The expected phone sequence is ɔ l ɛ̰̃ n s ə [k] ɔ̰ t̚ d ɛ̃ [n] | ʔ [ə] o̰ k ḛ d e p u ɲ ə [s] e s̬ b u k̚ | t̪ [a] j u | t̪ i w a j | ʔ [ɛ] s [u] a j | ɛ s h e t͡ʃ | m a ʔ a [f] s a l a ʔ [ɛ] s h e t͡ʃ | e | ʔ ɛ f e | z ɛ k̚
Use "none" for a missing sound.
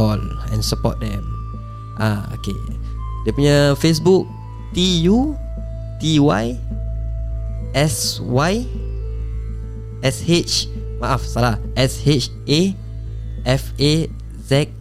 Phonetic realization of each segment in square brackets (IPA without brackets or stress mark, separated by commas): p, m, a, f, i, ɛ, w, f, ɛ